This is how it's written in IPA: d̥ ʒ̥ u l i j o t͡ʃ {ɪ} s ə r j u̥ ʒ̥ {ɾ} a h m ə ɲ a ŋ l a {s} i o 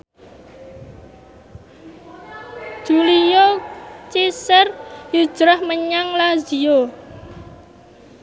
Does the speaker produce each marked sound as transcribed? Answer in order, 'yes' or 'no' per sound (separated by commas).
no, yes, no